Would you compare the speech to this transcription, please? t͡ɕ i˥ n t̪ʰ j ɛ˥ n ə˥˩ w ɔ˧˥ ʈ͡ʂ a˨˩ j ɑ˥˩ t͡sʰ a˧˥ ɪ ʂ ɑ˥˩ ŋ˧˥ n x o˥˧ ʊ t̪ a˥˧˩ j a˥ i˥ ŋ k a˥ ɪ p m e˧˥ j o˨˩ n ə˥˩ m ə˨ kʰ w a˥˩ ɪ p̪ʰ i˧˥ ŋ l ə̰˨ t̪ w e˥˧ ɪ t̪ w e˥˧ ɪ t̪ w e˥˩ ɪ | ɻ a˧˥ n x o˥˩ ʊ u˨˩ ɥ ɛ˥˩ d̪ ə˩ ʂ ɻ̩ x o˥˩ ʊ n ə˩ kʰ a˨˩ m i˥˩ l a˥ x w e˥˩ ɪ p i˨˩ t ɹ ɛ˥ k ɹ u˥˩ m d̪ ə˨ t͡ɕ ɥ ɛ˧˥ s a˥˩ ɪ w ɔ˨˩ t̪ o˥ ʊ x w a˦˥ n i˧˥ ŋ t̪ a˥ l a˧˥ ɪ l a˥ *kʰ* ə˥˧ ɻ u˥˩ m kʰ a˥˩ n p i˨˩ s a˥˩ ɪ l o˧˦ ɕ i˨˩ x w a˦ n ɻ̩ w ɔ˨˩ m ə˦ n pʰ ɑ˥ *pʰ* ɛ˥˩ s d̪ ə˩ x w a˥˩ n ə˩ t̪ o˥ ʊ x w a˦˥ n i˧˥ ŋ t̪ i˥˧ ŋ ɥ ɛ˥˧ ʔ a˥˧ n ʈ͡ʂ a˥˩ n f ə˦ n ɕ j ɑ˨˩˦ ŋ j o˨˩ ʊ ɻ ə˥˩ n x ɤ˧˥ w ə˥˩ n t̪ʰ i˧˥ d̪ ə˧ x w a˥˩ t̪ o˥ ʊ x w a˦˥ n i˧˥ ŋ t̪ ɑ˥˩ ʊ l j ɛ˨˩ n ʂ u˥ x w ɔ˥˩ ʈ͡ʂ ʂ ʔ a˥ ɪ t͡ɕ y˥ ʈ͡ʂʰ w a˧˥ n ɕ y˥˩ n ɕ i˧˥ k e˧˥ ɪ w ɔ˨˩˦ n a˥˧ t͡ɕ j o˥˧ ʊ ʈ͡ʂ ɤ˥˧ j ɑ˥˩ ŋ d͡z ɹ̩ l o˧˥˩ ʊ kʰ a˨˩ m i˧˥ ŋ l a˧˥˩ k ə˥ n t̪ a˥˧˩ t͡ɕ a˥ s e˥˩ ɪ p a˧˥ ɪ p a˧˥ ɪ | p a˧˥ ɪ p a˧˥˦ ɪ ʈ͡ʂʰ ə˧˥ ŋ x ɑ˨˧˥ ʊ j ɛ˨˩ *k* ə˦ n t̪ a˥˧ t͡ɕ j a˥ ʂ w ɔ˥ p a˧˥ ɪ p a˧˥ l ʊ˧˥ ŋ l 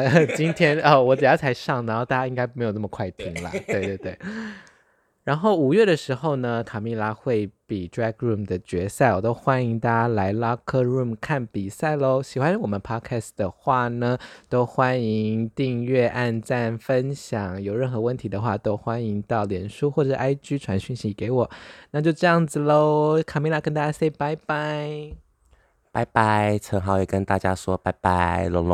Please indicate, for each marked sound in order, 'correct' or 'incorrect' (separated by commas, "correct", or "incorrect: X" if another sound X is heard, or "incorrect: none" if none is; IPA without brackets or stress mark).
correct, incorrect: kʰ, correct